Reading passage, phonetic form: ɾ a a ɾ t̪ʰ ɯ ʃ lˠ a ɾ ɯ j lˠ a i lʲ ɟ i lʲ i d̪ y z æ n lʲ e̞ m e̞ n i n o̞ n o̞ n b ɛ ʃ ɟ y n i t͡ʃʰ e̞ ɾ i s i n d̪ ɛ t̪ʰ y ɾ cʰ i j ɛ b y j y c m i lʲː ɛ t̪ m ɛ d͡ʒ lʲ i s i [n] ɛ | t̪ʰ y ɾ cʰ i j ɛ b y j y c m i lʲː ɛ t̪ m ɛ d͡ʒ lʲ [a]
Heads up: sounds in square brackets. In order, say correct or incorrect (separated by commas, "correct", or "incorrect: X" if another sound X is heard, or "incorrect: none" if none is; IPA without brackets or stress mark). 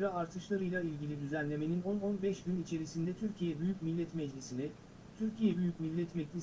correct, incorrect: i